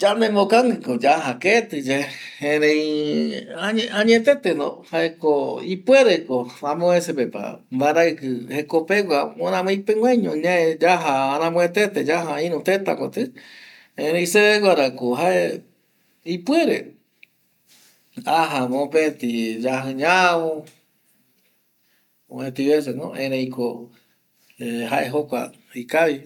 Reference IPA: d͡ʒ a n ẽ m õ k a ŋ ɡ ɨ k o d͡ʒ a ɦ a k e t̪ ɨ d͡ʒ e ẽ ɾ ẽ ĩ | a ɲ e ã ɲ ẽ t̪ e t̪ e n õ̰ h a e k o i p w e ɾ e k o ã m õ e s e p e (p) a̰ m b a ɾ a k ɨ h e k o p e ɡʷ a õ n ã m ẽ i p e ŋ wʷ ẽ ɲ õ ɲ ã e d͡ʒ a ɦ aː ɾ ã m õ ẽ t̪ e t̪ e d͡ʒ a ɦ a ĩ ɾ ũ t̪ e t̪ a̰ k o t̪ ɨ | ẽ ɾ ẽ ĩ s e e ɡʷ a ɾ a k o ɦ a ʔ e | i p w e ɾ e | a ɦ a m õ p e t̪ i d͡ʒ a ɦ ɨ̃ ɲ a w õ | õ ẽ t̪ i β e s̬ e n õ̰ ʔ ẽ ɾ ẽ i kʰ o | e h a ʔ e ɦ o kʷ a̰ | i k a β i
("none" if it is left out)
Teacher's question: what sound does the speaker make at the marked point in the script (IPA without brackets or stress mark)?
p